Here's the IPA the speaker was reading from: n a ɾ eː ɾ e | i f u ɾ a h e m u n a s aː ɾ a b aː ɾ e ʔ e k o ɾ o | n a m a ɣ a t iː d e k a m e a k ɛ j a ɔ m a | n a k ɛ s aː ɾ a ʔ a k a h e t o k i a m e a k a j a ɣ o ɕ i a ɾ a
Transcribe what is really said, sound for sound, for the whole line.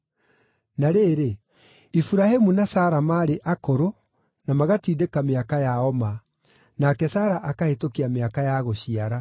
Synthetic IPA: n a ɾ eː ɾ e | i f u ɾ a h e m u n a s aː ɾ a m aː ɾ e ʔ a k o ɾ o | n a m a ɣ a t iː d e k a m e a k a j a ɔ m a | n a k ɛ s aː ɾ a ʔ a k a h e t o k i a m e a k a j a ɣ o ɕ i a ɾ a